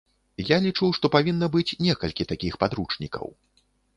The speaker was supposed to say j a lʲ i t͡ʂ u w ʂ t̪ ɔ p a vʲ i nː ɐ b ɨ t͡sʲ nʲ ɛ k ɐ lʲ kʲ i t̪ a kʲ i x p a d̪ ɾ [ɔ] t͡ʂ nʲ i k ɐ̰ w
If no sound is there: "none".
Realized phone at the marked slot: u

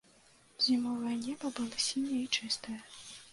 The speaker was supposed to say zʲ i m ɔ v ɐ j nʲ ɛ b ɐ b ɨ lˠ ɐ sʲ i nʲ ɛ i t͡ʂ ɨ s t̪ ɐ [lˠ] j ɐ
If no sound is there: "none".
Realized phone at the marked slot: none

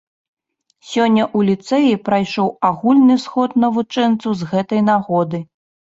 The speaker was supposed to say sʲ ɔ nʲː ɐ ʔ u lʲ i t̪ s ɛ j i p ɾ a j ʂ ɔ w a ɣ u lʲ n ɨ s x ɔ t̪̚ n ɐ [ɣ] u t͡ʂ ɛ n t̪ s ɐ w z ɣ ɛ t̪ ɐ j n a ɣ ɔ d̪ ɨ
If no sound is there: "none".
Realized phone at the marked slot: v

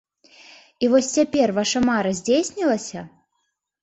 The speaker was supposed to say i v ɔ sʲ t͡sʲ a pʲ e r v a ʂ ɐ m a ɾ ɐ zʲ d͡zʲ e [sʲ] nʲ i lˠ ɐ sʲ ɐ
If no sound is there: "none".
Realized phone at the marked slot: sʲ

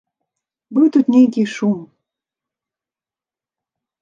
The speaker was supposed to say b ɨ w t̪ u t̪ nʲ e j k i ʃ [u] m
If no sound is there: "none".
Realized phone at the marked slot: u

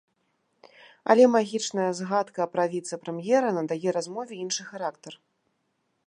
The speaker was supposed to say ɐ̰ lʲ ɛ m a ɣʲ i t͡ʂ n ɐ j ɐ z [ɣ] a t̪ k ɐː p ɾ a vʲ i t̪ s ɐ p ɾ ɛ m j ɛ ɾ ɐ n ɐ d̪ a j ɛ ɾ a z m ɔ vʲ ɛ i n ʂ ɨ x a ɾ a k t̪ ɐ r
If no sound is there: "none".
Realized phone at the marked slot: ɣ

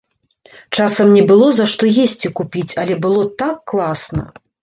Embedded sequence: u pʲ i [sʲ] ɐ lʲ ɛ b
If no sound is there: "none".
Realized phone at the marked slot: t͡sʲ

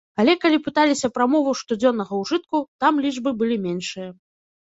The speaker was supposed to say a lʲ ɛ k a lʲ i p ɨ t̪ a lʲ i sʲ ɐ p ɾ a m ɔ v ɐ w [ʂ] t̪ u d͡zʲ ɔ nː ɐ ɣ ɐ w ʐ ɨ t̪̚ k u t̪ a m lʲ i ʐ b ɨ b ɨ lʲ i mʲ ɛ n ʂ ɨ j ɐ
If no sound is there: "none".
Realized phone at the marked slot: ʂ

